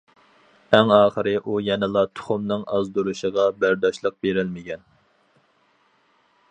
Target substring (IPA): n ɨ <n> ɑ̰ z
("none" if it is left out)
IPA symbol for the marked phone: ŋ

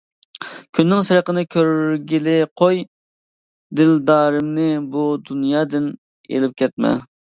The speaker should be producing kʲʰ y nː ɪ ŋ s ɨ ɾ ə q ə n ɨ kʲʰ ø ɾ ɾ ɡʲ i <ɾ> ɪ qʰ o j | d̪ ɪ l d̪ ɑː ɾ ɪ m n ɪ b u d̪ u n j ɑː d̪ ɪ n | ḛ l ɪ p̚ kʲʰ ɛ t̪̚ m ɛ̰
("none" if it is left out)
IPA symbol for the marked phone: l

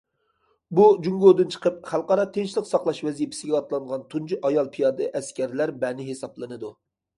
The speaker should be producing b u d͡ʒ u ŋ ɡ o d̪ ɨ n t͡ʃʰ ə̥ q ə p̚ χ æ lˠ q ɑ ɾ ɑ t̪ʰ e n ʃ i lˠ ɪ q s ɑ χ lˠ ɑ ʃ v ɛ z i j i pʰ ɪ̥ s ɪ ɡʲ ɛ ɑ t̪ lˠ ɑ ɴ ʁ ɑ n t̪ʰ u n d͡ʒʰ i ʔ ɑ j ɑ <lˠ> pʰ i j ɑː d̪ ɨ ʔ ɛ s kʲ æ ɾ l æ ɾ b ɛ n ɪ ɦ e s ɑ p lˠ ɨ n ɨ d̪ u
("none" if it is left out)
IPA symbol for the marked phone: lˠ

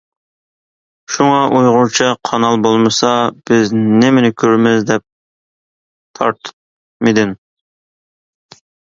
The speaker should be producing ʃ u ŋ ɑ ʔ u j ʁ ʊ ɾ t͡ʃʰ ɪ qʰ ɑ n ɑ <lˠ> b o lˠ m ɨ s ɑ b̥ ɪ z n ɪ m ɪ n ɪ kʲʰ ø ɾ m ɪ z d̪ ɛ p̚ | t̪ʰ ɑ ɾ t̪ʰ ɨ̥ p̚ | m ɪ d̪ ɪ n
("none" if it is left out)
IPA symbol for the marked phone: lˠ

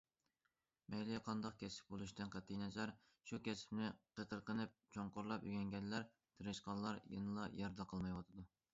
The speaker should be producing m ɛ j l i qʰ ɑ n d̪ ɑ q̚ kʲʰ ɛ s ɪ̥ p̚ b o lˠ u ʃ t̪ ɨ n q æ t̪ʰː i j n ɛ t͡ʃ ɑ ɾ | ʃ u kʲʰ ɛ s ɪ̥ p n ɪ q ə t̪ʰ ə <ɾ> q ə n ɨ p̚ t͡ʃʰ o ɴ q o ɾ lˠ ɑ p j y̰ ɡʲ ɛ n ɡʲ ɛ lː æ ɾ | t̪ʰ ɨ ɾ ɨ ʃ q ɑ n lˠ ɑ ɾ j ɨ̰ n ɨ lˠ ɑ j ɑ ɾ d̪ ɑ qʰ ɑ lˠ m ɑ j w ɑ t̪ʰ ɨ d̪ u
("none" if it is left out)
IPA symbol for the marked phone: ɾ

